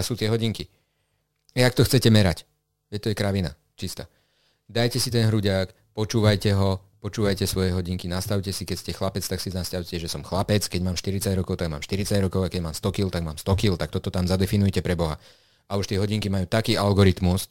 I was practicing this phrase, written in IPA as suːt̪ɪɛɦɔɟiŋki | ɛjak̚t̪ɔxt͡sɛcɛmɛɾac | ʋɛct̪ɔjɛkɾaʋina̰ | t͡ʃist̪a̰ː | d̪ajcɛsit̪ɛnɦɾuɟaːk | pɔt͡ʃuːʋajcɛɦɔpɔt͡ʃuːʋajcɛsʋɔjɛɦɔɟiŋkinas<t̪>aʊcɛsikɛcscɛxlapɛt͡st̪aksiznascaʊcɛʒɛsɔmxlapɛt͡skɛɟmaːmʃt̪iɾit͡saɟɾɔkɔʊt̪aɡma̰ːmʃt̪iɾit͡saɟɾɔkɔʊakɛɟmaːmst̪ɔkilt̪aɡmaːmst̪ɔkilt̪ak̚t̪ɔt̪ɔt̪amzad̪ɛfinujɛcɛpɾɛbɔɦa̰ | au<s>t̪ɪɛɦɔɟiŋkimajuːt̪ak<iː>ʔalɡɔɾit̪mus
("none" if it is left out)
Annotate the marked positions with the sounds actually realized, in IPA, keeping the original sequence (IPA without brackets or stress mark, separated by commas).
t̪, ʃ, iː